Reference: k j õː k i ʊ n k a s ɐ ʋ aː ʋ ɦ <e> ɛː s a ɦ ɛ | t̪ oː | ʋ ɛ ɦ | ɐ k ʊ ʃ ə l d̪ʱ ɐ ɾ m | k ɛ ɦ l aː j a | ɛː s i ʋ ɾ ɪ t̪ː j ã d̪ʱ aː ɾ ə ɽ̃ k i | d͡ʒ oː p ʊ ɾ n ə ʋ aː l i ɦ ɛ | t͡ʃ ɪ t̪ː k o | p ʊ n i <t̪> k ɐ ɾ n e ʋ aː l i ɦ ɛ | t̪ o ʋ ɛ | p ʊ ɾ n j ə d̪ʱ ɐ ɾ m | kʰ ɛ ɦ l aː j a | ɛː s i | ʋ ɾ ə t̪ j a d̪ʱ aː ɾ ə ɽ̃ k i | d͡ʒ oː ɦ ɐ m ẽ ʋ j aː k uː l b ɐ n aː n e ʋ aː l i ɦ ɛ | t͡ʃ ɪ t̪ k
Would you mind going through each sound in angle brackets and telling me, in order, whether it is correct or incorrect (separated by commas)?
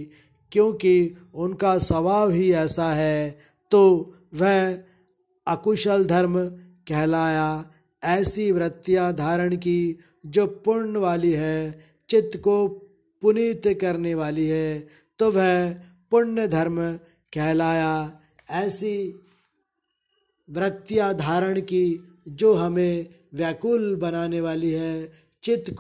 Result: incorrect, correct